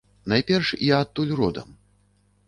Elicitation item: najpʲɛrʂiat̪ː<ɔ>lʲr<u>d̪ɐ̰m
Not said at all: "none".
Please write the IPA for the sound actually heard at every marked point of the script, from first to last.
u, ɔ

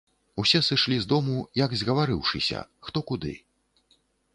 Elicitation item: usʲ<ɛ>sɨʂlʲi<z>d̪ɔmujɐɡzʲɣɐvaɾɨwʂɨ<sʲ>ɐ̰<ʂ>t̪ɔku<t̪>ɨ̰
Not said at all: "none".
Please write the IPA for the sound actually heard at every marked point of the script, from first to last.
ɛ, z, sʲ, x, d̪

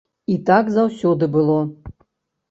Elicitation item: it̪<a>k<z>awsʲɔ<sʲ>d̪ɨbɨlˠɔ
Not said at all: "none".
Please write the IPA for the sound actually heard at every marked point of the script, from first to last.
a, z, none

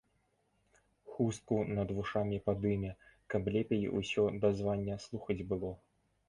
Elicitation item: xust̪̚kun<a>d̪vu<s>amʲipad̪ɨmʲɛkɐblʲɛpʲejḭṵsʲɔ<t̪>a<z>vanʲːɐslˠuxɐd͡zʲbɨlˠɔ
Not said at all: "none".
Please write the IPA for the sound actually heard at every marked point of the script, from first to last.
ɐ, ʂ, d̪, z

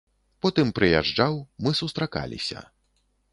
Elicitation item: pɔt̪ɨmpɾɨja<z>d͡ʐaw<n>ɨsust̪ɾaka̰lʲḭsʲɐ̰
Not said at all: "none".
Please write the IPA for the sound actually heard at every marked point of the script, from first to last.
ʐ, m

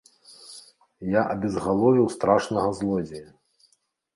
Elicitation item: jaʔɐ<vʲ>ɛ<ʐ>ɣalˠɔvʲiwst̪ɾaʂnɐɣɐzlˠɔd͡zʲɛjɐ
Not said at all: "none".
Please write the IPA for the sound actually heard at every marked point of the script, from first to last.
bʲ, z

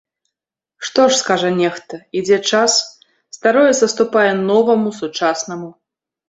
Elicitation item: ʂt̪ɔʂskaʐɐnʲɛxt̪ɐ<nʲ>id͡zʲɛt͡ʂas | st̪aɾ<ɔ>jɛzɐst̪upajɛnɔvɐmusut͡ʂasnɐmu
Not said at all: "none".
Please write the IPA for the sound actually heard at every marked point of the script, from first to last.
none, ɔ

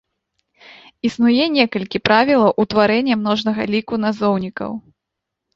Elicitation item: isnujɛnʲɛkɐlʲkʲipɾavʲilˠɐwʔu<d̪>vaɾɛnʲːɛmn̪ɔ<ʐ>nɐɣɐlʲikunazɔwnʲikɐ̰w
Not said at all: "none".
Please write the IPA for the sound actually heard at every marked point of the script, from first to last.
t̪, ʐ

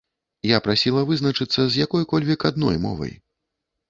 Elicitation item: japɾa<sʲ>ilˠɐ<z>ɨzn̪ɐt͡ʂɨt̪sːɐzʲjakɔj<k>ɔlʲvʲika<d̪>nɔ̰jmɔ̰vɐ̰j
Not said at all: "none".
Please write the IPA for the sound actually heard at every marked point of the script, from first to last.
sʲ, v, k, d̪

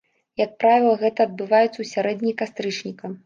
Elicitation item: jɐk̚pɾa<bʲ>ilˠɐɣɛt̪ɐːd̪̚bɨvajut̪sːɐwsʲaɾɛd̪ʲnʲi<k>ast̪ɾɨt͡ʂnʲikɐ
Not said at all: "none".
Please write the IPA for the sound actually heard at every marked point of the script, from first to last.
vʲ, k

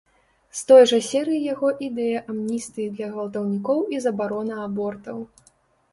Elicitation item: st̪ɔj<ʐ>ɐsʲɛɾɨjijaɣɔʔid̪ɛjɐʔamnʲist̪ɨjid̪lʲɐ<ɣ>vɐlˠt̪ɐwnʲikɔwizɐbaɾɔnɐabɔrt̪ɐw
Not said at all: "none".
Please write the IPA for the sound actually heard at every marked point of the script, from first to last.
ʐ, ɣ

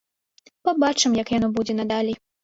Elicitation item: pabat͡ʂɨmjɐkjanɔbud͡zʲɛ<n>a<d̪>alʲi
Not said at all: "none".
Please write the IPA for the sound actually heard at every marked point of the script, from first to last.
n, d̪

